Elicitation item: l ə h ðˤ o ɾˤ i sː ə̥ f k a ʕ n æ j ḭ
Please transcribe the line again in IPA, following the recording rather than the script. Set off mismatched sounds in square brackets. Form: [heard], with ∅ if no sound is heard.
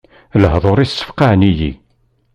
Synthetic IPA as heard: l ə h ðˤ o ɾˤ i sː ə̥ f [q] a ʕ n [i] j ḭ